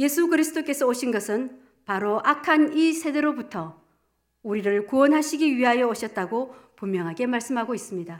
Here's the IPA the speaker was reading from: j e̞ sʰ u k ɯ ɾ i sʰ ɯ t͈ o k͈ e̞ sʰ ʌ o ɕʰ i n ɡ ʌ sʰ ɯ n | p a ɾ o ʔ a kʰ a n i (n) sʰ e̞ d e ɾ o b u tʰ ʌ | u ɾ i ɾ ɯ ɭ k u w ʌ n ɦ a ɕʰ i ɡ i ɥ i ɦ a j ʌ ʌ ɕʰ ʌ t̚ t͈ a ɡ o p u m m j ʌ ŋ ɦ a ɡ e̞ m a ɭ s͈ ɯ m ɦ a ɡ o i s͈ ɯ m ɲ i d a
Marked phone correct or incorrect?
incorrect